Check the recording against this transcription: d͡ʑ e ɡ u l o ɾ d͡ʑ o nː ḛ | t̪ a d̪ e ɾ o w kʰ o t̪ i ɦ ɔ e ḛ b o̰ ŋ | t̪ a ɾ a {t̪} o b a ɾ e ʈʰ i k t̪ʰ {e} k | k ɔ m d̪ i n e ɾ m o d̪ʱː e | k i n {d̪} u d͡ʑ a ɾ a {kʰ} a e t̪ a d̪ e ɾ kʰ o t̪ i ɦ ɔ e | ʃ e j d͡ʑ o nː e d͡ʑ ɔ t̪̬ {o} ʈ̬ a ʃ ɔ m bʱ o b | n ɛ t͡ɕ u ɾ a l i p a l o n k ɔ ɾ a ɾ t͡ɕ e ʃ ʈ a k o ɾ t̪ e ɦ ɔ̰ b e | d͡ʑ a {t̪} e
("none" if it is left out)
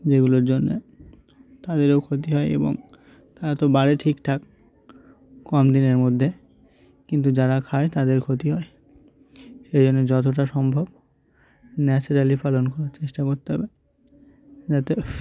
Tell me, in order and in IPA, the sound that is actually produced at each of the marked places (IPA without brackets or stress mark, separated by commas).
t̪, a, t̪, kʰ, o, t̪